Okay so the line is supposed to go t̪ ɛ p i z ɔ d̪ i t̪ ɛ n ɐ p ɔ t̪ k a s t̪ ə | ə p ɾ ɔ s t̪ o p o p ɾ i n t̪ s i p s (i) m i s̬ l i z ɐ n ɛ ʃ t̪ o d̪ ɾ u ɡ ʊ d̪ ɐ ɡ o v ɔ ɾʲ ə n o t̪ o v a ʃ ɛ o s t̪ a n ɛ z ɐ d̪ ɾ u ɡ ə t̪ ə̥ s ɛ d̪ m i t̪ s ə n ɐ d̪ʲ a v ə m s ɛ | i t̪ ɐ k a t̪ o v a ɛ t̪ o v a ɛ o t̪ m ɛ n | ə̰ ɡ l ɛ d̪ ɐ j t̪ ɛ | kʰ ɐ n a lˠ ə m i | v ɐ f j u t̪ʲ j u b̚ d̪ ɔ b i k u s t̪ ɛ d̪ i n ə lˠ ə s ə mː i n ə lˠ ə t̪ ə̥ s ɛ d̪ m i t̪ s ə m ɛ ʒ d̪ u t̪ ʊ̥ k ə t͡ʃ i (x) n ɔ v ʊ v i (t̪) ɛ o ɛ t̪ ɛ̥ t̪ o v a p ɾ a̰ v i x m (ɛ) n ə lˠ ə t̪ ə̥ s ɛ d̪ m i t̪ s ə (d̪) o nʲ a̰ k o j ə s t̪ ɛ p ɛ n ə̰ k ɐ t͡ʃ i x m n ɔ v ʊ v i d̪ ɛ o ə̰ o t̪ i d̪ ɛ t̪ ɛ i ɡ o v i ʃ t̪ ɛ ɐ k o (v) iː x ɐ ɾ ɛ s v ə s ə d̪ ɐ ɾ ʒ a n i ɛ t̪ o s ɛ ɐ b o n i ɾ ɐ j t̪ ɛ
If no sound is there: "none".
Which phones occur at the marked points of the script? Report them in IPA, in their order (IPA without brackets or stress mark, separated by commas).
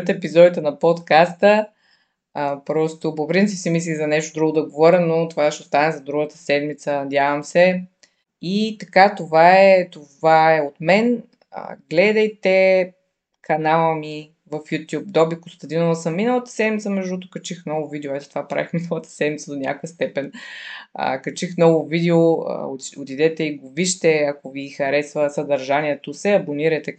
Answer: i, x, d̪, i, d̪, v